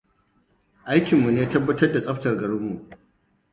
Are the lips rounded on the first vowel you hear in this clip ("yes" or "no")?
no